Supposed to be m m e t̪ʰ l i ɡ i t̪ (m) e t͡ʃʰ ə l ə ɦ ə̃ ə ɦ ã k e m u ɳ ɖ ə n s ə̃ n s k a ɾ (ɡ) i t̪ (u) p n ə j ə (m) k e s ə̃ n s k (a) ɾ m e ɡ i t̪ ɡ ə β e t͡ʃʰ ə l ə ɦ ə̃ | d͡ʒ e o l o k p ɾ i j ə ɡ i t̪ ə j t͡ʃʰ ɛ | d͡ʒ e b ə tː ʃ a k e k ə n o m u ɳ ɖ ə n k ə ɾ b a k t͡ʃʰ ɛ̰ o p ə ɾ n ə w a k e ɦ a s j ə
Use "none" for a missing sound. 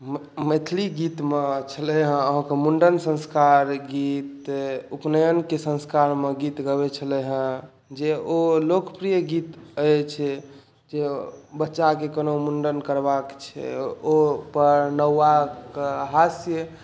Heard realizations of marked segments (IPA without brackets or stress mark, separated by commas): m, ɡ, u, n, a